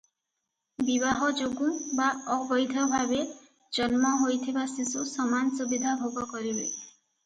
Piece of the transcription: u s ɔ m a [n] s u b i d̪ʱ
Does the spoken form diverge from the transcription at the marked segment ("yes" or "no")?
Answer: no